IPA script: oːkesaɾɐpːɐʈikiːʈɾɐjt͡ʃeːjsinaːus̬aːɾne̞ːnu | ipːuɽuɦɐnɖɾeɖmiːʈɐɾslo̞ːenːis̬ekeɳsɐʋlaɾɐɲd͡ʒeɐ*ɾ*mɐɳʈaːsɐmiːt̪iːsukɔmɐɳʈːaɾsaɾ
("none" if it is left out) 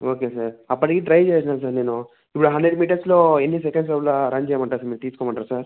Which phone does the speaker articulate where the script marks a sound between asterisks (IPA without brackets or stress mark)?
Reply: none